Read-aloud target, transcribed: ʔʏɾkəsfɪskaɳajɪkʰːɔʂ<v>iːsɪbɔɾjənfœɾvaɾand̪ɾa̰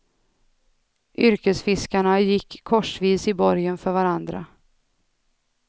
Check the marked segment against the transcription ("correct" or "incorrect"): correct